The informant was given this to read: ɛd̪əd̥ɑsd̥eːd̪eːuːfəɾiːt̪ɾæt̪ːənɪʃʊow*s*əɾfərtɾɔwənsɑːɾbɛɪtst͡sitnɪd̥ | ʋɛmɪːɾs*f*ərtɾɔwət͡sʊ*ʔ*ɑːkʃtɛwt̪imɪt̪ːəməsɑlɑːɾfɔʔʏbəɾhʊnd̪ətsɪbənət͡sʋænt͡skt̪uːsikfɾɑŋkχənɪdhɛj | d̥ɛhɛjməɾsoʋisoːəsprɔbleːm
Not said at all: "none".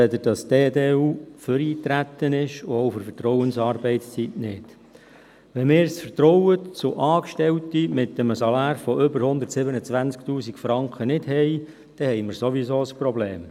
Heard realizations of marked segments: f, f, ʔ

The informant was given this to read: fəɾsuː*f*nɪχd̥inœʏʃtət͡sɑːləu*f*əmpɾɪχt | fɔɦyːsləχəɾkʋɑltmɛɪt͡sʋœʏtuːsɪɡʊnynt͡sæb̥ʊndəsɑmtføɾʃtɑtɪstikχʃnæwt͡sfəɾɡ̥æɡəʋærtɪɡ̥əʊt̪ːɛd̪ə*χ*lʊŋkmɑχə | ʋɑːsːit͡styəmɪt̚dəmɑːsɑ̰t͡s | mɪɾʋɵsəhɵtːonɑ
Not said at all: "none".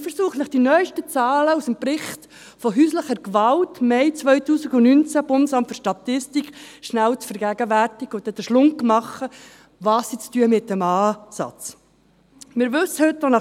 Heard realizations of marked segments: χ, s, ʃ

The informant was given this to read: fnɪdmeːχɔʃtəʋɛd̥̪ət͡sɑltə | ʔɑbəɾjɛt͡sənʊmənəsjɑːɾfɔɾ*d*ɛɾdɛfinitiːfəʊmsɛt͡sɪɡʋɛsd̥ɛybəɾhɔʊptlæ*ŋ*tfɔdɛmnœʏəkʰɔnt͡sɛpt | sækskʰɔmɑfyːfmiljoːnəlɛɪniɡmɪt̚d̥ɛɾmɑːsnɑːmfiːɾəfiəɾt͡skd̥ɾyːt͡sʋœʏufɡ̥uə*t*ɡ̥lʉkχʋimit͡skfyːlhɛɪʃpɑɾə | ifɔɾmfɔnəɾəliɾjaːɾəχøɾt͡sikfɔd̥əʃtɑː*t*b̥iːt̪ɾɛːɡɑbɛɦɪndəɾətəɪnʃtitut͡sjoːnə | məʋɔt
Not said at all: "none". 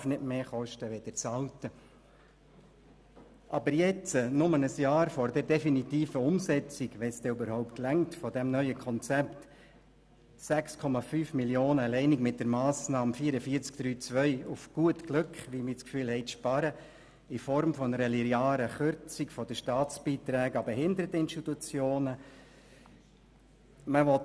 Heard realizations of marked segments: d, ŋ, t, t͡s

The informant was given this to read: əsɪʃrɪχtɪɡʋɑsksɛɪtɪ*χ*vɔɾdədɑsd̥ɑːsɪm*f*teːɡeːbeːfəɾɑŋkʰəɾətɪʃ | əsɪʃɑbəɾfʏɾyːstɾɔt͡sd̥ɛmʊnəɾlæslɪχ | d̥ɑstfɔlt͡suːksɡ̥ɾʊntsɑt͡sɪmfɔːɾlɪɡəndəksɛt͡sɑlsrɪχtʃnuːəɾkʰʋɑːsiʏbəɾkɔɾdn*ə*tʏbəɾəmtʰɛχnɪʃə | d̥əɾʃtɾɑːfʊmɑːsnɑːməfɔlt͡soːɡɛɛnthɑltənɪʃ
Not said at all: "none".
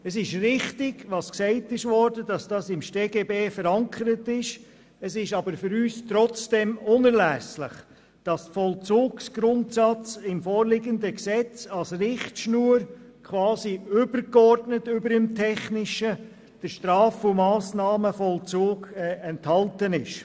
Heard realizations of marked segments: ʃ, ʃ, ə

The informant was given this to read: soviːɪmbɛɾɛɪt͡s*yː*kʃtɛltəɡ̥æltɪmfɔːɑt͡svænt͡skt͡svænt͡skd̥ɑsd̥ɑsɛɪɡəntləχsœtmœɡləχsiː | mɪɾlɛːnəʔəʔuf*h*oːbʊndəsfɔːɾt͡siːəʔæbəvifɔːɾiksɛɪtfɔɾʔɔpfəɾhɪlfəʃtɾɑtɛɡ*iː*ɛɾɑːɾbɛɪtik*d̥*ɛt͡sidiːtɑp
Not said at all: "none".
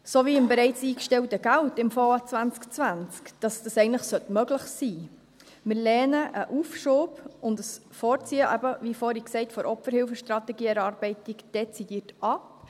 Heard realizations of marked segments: iː, ʃ, iː, d̥

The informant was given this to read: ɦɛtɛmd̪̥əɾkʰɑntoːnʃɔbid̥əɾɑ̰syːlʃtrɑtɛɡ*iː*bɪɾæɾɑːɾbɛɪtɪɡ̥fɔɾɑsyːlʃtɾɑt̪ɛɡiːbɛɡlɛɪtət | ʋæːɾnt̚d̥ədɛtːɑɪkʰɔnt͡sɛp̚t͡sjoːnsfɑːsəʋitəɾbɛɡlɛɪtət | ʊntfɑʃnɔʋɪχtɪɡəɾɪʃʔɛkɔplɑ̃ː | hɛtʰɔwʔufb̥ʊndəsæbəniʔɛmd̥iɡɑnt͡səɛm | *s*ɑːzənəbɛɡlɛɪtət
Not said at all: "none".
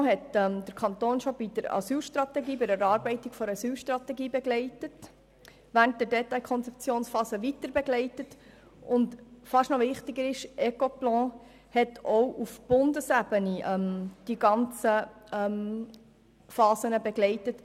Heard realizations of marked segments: iː, f

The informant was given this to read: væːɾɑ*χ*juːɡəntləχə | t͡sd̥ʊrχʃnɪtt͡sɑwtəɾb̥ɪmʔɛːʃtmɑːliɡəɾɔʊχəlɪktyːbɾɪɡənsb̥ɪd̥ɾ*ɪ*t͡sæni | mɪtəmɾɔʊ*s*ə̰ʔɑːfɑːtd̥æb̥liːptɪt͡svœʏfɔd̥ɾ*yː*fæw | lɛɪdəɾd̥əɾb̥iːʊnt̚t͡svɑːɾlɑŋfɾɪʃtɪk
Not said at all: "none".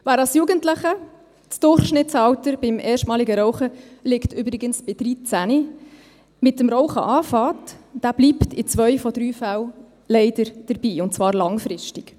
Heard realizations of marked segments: s, i, χ, yː

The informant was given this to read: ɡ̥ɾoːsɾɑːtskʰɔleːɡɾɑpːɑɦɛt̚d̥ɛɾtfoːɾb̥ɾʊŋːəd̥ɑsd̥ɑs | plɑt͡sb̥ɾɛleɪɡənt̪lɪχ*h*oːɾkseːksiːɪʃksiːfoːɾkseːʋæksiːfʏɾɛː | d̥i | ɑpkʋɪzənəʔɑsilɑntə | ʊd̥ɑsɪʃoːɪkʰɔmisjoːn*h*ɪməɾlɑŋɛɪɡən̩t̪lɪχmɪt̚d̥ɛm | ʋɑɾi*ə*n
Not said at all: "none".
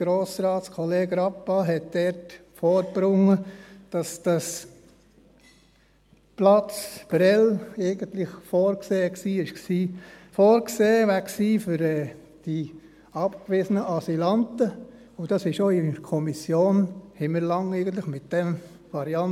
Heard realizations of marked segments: f, h, ɑ

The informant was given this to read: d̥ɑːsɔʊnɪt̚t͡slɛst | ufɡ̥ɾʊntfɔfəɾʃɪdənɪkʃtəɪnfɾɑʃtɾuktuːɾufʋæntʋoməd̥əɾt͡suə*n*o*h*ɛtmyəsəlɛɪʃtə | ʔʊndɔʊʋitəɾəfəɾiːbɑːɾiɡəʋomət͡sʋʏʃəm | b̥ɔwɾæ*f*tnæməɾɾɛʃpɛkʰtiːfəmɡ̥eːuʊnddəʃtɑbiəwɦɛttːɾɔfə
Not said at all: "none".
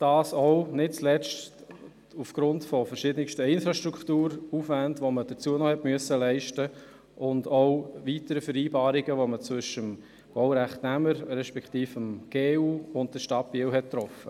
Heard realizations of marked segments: n, h, χ

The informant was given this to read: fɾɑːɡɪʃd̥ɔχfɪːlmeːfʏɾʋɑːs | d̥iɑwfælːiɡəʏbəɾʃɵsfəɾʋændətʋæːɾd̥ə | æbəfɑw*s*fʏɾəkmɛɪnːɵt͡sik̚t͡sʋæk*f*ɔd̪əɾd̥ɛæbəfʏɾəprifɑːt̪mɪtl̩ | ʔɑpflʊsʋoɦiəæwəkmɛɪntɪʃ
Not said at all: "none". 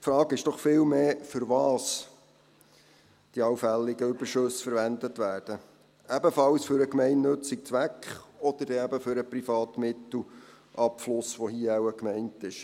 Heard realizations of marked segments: s, χ

